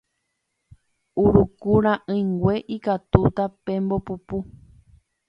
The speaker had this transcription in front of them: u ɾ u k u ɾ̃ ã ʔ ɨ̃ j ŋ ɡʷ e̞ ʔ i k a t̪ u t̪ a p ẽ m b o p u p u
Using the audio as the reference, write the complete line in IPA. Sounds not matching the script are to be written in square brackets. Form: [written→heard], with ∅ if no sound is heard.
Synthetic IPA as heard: u ɾ u k u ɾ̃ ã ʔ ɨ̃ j ŋ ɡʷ e̞ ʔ i k a t̪ u t̪ a p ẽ m b o p u p u